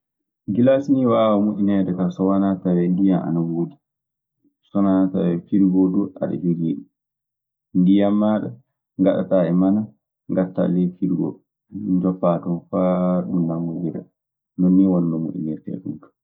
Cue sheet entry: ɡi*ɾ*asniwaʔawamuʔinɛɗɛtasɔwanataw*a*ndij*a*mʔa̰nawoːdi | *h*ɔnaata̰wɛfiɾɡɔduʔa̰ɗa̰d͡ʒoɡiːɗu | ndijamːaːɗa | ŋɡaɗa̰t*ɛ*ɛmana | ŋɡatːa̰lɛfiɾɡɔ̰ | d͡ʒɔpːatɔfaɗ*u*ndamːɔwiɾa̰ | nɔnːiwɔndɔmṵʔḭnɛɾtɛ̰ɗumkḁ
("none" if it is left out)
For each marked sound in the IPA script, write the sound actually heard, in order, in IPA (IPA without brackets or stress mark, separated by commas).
l, ɛ, a, s, a, u